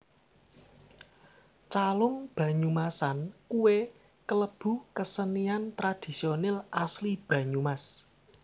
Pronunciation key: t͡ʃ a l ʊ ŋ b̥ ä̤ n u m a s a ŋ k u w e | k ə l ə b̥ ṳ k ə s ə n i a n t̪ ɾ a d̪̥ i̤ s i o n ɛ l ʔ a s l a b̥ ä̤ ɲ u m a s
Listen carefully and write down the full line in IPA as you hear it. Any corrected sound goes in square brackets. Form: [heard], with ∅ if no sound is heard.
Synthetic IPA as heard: t͡ʃ a l ʊ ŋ b̥ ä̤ [ɲ] u m a s a [n] k u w e | k ə l ə b̥ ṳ k ə s ə n i a n t̪ ɾ a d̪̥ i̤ s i o n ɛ l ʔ a s l [i] b̥ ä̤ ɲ u m a s